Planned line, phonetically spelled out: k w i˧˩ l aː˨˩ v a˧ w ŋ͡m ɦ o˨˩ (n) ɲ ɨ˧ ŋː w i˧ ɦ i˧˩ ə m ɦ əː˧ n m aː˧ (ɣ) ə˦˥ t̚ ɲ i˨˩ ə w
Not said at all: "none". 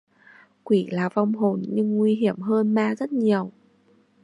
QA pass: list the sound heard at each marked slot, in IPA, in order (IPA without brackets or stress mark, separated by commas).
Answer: n, z